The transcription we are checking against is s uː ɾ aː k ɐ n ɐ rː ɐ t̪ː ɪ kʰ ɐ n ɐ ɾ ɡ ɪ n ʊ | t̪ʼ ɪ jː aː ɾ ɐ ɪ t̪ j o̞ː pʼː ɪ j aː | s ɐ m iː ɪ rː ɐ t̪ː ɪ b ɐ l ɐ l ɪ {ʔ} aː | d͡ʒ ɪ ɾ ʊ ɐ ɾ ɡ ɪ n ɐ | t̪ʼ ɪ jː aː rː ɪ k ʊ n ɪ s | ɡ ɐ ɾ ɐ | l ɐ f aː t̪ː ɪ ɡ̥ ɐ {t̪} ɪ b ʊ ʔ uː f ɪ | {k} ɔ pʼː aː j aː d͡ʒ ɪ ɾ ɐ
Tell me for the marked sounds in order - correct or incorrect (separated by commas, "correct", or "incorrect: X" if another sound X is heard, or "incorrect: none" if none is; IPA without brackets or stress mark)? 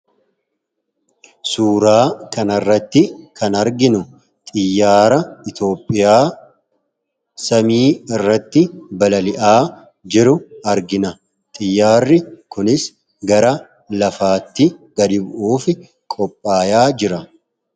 correct, incorrect: d̪, incorrect: kʼ